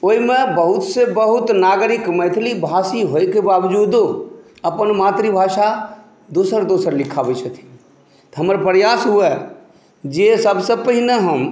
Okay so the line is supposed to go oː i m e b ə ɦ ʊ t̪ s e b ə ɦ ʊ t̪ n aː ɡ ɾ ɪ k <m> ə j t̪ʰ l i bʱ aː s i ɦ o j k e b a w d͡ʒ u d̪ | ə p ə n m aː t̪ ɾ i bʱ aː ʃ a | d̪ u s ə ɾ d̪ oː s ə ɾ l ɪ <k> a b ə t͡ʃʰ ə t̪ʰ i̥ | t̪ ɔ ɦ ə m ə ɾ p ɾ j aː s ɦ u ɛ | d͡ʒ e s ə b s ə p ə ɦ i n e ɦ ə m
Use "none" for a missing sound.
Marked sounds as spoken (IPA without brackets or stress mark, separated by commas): m, kʰ